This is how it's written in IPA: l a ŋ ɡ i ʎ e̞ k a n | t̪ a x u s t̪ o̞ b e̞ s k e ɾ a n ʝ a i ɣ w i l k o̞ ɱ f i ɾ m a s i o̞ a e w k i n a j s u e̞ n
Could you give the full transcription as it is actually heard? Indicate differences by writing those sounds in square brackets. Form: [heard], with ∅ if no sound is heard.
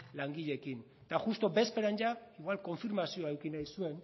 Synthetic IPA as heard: l a ŋ ɡ i ʎ e̞ k [i] n | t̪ a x u s t̪ o̞ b e̞ s [p] e ɾ a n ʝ a i ɣ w [a] l k o̞ ɱ f i ɾ m a s i o̞ a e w k i n a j s u e̞ n